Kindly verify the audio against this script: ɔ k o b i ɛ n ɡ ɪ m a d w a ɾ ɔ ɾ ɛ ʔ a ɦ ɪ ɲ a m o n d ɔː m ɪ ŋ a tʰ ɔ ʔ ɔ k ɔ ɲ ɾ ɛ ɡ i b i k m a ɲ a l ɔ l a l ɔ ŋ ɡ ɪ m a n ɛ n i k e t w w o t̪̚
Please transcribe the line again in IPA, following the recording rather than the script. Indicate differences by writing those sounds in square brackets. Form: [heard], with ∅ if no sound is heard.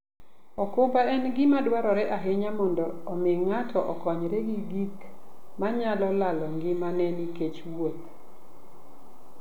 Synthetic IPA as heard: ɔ k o b [a] ɛ n ɡ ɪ m a d w a ɾ ɔ ɾ ɛ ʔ a ɦ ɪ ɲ a m [ɔ] n d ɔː m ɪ ŋ a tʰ ɔ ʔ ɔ k ɔ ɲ ɾ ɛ ɡ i [ɡ] i k m a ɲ a l ɔ l a l ɔ ŋ ɡ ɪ m a n ɛ n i k e [t͡ʃ] w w o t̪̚